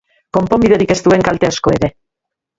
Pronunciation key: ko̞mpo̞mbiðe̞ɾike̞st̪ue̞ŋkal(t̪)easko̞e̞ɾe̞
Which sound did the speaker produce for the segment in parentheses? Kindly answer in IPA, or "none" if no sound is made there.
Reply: t̪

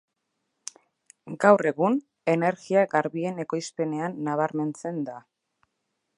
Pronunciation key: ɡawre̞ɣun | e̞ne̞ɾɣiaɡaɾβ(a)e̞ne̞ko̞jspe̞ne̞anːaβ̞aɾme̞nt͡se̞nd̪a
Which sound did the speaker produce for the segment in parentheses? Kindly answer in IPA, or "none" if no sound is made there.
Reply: i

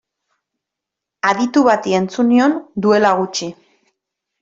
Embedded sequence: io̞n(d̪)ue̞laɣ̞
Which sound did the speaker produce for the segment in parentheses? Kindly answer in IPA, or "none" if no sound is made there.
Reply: d̪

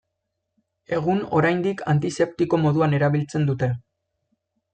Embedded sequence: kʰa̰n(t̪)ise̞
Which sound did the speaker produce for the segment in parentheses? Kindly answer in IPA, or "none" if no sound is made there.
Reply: t̪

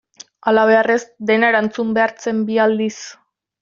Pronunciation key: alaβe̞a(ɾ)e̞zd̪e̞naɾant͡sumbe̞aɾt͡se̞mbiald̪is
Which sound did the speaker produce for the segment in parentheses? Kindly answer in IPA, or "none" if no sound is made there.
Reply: r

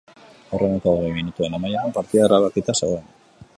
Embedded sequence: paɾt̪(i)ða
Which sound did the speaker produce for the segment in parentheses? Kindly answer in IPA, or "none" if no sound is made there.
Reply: i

